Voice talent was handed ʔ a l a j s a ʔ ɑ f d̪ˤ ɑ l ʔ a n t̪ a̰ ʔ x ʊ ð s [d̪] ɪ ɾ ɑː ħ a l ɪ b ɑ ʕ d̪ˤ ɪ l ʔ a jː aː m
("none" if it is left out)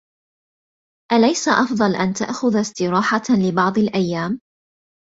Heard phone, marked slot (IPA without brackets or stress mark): t̪